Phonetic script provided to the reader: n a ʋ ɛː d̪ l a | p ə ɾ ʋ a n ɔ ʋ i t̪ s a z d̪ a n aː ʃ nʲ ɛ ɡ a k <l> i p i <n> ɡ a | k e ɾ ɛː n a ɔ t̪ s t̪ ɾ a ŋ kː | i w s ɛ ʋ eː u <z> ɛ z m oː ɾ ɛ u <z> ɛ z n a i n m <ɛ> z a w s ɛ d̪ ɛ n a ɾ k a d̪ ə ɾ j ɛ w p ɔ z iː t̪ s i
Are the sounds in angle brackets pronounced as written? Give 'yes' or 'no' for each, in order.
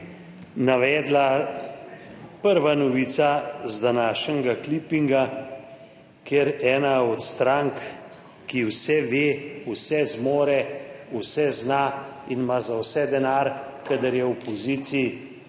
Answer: yes, no, no, no, no

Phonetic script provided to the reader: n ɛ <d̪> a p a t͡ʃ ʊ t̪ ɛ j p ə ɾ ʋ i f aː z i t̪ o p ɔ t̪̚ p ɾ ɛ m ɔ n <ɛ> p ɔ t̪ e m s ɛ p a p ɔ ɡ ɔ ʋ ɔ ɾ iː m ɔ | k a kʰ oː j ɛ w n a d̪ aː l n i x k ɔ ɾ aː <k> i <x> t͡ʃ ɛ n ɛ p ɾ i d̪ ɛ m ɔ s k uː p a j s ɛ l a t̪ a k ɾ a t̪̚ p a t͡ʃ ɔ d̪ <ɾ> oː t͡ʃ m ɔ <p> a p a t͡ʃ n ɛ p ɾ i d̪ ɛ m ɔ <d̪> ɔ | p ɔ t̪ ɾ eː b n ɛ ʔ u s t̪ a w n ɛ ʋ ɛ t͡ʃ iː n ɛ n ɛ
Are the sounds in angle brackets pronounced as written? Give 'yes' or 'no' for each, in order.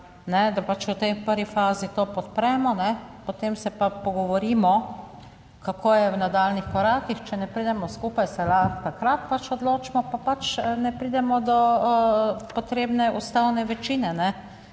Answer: yes, yes, yes, yes, no, yes, yes

